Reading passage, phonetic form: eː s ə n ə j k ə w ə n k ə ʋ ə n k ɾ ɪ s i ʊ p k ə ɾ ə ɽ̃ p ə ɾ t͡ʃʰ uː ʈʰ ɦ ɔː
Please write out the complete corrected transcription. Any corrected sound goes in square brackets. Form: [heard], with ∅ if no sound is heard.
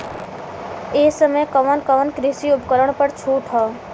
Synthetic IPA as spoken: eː s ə [m] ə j k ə [ʋ] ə n k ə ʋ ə n k ɾ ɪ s i ʊ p k ə ɾ ə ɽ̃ p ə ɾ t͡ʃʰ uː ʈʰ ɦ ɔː